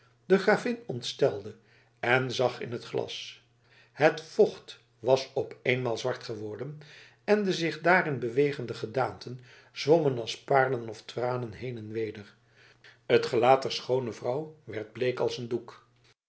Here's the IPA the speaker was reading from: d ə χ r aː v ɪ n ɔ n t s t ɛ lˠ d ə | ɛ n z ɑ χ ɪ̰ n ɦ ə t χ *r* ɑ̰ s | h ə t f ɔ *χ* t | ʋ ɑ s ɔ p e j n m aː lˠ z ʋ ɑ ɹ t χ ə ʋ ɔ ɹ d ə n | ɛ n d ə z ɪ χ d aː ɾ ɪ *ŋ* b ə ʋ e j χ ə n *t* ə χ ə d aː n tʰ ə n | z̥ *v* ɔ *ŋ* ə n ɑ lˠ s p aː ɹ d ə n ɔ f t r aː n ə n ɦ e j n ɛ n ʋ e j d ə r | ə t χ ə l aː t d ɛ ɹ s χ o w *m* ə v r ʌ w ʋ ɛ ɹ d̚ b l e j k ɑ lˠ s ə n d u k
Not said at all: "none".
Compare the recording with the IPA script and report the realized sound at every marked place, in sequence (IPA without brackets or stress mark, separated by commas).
l, χ, n, d, ʋ, m, n